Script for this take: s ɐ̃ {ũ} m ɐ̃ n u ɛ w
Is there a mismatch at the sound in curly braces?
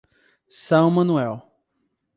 yes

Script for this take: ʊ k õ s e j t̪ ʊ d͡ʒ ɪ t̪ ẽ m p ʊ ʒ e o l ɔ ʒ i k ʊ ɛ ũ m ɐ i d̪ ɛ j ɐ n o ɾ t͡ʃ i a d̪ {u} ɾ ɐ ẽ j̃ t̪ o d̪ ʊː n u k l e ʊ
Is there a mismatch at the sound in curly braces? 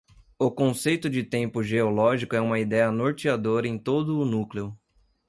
yes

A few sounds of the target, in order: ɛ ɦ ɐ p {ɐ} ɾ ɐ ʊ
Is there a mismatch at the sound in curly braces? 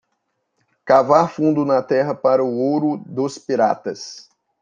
yes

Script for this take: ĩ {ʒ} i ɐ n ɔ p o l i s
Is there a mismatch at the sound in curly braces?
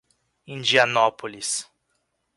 yes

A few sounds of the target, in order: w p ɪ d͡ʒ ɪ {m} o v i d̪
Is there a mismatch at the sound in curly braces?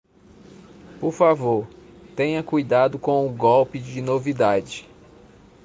yes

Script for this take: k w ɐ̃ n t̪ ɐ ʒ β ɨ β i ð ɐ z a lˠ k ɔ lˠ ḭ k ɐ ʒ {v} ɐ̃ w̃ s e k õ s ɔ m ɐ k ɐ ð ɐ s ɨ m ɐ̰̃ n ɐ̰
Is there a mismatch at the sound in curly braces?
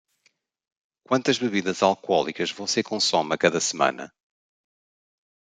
no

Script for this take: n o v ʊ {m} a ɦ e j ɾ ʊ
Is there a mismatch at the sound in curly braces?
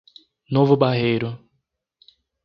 yes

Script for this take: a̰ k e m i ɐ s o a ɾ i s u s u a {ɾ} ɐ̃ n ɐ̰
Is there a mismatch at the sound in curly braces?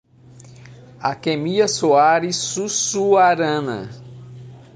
no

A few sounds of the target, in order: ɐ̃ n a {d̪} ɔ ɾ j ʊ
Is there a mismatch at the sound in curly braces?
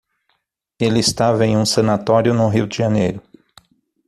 yes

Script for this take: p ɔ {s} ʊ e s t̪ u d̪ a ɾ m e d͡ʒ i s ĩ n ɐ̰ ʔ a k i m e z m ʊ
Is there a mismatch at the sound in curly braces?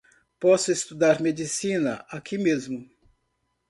no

